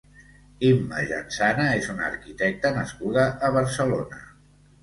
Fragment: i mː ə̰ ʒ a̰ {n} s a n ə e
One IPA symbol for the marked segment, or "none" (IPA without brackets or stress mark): n